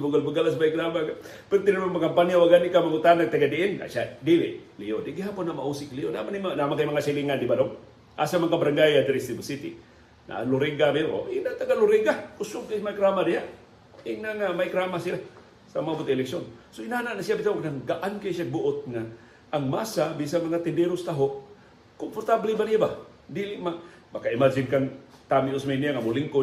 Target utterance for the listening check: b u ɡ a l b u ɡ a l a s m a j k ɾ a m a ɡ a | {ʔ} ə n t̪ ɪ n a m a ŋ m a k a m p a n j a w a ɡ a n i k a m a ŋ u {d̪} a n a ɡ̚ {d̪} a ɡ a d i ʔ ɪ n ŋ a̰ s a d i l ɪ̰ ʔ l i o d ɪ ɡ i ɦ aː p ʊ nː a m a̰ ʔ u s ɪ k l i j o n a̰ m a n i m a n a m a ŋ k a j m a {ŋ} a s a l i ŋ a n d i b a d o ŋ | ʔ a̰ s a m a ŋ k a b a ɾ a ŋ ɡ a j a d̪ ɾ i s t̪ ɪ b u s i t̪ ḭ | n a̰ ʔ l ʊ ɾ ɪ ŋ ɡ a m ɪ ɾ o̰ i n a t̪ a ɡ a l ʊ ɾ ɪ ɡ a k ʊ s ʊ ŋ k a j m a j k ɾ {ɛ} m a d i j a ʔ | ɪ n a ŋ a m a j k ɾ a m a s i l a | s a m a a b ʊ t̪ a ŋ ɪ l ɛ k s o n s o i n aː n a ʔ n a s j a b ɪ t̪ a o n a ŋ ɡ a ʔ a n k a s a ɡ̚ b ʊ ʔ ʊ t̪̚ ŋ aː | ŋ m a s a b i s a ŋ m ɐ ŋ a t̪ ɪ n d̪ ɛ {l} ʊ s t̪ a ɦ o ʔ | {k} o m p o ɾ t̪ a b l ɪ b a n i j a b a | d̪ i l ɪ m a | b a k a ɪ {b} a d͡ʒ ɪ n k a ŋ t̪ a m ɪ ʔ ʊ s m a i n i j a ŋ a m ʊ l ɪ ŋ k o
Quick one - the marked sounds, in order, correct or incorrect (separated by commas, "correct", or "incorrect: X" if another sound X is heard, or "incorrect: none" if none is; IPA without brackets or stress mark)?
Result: incorrect: p, incorrect: t̪, incorrect: t̪, correct, incorrect: a, incorrect: ɾ, correct, incorrect: m